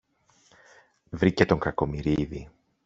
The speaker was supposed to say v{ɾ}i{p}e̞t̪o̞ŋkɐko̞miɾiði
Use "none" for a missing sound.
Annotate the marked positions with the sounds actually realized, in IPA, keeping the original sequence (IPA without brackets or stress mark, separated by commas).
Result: ɾ, c